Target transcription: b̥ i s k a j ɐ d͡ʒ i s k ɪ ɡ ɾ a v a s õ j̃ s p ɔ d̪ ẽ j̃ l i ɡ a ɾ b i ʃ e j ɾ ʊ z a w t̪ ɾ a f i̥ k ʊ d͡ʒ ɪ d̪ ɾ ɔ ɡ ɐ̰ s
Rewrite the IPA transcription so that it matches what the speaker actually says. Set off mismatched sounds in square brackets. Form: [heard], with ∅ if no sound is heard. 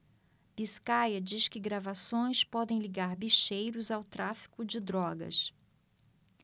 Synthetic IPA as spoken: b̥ i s k a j ɐ d͡ʒ i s k ɪ ɡ ɾ a v a s õ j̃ s p ɔ d̪ ẽ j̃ l i ɡ a ɾ b i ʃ e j ɾ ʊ z a w t̪ ɾ a f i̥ k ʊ d͡ʒ ɪ d̪ ɾ ɔ ɡ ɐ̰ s